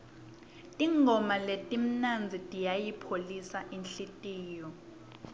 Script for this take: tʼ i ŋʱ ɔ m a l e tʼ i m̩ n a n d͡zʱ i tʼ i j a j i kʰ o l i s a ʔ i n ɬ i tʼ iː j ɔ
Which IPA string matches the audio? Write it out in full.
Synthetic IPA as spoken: tʼ i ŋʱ ɔ m a l e tʼ i m̩ n a n d͡zʱ i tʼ i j a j i pʰ o l i s a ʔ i n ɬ i tʼ iː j ɔ